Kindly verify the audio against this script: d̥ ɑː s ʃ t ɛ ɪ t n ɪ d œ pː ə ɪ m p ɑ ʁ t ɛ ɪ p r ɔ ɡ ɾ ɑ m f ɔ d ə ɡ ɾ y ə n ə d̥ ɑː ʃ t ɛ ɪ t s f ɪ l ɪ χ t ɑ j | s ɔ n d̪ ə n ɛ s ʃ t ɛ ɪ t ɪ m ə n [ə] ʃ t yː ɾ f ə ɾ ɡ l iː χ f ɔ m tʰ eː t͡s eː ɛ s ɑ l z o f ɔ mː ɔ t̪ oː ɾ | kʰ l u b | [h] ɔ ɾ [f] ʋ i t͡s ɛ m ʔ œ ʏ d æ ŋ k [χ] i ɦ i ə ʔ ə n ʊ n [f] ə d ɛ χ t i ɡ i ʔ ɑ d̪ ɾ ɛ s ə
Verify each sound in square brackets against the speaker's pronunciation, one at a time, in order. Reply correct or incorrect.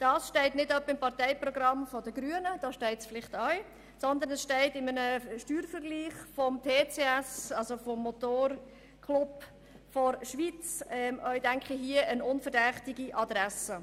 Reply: correct, incorrect, incorrect, correct, correct

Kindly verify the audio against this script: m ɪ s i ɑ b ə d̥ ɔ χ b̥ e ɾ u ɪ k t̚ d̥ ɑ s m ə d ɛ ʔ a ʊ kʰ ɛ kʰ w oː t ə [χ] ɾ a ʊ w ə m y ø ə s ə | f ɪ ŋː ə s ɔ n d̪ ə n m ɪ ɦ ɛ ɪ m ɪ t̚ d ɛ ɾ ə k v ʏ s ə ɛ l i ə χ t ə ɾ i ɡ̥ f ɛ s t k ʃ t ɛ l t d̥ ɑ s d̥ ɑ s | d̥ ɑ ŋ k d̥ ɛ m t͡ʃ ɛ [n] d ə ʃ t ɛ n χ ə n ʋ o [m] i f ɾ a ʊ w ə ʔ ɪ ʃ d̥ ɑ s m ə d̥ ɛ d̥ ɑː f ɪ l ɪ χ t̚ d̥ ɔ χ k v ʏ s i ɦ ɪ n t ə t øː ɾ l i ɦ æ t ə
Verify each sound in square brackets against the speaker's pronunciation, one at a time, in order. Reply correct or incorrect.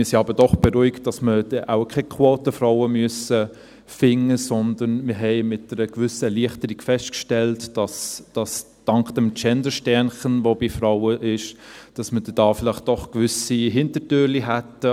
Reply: incorrect, correct, incorrect

